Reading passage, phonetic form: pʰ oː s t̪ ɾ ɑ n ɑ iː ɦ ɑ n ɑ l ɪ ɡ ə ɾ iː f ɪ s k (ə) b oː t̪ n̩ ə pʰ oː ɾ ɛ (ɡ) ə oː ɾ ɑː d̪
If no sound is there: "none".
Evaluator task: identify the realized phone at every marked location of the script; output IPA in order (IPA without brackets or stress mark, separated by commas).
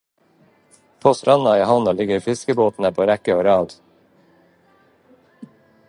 ə, k